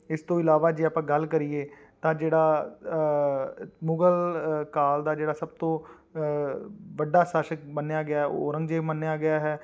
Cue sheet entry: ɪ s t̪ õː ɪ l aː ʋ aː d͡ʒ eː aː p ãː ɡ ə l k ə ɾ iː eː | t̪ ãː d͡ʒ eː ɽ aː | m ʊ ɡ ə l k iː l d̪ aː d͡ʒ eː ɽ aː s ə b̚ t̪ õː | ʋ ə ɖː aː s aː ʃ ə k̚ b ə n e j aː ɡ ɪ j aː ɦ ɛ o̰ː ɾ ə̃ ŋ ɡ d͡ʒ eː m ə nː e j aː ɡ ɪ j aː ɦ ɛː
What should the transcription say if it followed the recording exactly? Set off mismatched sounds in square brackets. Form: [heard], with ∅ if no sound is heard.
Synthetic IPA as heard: ɪ s t̪ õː ɪ l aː ʋ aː d͡ʒ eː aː p ãː ɡ ə l k ə ɾ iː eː | t̪ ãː d͡ʒ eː ɽ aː | m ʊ ɡ ə l k [aː] l d̪ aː d͡ʒ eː ɽ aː s ə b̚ t̪ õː | ʋ ə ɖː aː s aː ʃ ə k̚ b ə n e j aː ɡ ɪ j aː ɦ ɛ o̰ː ɾ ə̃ ŋ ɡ d͡ʒ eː m ə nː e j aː ɡ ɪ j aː ɦ ɛː